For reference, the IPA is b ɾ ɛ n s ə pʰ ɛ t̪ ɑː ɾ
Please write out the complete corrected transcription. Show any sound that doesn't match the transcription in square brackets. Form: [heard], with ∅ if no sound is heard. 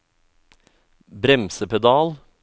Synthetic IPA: b ɾ ɛ [m] s ə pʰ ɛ [d̪] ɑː [l]